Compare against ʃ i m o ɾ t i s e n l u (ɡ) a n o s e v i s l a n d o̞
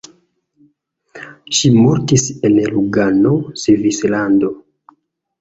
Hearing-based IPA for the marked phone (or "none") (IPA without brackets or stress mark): ɡ